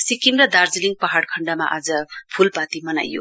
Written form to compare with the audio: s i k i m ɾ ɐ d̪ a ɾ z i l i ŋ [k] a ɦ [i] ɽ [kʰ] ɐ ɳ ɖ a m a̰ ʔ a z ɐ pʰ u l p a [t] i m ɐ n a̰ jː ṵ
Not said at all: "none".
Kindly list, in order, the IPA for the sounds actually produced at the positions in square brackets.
p, a, kʰ, t

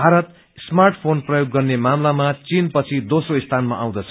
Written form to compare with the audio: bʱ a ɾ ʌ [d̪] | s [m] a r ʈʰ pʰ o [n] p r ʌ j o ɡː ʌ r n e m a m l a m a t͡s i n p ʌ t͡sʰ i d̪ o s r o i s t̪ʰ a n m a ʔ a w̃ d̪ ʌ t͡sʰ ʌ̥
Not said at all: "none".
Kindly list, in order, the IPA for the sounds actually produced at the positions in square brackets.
t̪, m, n

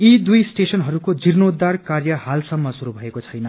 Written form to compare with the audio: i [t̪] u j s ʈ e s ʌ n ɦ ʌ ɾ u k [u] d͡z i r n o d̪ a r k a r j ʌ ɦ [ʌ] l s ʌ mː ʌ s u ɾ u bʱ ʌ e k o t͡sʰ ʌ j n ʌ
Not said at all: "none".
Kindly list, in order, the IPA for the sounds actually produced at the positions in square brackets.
d̪, o, a

